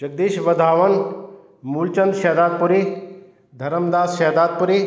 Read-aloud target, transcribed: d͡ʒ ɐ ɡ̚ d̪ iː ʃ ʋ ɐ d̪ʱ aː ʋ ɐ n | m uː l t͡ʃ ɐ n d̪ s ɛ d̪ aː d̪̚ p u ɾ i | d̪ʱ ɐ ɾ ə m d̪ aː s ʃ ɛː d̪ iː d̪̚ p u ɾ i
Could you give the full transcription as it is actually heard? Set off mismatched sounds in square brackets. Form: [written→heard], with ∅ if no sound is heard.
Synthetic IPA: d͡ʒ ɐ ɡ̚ d̪ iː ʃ ʋ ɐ d̪ʱ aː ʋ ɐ n | m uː l t͡ʃ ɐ n d̪ [s→ʃ] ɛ d̪ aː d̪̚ p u ɾ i | d̪ʱ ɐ ɾ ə m d̪ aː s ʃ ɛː d̪ [iː→aː] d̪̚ p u ɾ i